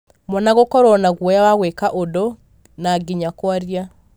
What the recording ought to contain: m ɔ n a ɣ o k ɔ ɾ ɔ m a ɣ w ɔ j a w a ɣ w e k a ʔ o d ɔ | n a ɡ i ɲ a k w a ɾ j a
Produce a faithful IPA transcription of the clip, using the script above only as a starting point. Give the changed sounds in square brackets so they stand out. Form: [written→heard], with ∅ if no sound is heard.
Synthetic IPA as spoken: m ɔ n a ɣ o k ɔ ɾ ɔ [m→n] a ɣ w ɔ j a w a ɣ w e k a ʔ o d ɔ | n a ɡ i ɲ a k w a ɾ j a